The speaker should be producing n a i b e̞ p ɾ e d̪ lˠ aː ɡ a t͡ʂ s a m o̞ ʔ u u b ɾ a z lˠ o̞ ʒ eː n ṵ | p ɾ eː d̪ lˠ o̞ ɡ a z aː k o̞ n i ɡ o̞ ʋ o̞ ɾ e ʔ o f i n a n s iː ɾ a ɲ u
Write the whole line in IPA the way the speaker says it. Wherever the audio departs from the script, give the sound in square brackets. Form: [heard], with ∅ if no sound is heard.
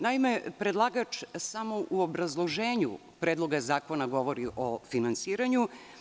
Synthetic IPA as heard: n a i [m] e̞ p ɾ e d̪ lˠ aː ɡ a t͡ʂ s a m o̞ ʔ u [o] b ɾ a z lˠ o̞ ʒ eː [ɲ] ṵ | p ɾ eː d̪ lˠ o̞ ɡ a z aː k o̞ n [a] ɡ o̞ ʋ o̞ ɾ [i] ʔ o f i n a n s iː ɾ a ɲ u